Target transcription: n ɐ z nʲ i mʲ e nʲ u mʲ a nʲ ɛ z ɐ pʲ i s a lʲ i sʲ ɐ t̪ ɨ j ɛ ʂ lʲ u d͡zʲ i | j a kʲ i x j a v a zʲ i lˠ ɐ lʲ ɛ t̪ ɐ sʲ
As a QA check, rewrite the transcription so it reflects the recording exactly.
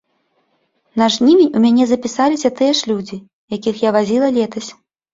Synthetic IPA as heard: n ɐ ʐ nʲ i mʲ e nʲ u mʲ a nʲ ɛ z ɐ pʲ i s a lʲ i sʲ ɐ t̪ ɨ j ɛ ʂ lʲ u d͡zʲ i | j a kʲ i x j a v a zʲ i lˠ ɐ lʲ ɛ t̪ ɐ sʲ